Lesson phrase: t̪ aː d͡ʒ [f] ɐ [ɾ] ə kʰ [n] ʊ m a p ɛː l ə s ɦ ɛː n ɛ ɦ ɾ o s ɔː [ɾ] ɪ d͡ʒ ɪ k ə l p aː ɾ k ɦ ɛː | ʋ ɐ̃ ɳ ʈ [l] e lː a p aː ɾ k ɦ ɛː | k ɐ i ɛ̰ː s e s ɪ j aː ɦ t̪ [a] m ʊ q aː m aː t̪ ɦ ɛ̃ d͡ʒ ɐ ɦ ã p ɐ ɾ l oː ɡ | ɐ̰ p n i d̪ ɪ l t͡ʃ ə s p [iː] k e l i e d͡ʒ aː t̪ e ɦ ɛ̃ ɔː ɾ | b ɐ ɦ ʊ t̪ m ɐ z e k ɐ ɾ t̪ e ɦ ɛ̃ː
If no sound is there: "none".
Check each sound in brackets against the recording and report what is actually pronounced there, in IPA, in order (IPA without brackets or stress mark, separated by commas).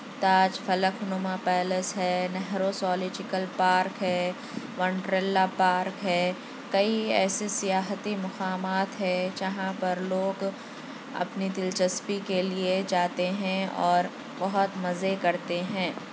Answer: f, l, n, l, ɾ, i, i